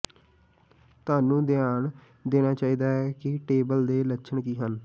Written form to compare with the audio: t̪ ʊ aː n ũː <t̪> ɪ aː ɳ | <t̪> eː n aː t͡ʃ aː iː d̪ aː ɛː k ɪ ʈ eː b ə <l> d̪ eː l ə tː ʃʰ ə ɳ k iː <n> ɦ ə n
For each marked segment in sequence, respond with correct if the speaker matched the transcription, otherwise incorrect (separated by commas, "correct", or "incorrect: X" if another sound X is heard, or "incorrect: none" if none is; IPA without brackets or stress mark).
incorrect: d̪, incorrect: d̪, correct, incorrect: none